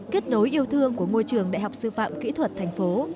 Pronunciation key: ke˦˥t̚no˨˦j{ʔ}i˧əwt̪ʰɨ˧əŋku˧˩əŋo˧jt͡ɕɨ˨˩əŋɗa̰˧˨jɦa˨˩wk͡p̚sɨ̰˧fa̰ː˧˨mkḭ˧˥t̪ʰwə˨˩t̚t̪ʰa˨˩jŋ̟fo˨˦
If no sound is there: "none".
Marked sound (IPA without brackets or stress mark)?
ʔ